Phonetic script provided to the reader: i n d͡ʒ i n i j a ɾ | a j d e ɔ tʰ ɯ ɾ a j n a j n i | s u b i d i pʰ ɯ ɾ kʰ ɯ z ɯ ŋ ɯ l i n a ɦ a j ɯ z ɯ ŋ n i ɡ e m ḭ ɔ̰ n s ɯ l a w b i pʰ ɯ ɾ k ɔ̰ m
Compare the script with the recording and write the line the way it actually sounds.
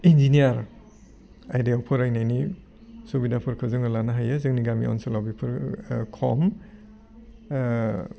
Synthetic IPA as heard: i n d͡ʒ i n i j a ɾ | a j d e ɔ pʰ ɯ ɾ a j n a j n i | s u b i d a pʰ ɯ ɾ kʰ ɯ z ɯ ŋ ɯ l a n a ɦ a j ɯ z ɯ ŋ n i ɡ a m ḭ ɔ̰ n s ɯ l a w b i pʰ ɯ ɾ kʰ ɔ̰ m